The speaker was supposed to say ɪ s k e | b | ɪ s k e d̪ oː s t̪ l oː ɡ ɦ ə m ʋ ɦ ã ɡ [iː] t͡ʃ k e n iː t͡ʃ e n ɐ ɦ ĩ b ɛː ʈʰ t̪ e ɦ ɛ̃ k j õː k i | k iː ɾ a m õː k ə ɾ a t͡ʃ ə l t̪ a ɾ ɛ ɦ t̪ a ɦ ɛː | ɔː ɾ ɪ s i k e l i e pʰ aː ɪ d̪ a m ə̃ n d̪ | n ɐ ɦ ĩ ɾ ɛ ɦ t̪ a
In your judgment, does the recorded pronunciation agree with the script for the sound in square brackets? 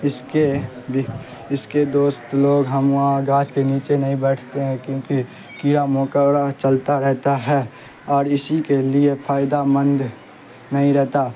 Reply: no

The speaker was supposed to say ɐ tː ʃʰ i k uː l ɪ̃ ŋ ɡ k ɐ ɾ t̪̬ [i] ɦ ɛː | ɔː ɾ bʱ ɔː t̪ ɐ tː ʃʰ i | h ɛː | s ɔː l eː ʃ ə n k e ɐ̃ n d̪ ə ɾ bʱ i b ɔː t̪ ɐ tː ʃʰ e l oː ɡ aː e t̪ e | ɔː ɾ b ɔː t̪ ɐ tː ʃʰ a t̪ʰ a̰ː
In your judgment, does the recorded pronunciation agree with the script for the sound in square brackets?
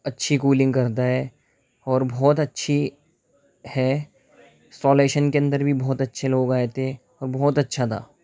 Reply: no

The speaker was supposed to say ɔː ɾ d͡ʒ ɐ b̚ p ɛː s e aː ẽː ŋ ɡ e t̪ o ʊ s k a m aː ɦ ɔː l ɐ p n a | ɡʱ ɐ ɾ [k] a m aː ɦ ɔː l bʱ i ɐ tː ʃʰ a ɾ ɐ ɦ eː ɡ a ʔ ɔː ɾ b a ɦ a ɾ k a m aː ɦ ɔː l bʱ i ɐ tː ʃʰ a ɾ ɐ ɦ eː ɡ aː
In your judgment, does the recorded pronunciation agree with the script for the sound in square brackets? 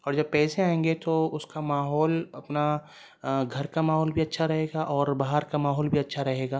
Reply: yes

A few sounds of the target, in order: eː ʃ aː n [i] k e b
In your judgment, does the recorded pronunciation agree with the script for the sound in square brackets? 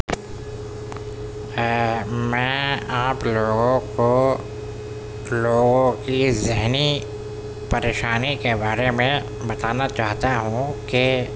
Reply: yes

